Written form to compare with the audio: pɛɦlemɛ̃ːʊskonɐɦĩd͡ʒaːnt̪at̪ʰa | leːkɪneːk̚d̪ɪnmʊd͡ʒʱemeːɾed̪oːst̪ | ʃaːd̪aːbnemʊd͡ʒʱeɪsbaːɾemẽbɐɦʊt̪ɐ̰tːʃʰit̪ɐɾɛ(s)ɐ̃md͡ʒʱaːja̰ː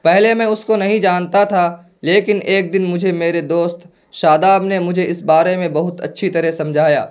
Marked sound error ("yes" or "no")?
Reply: no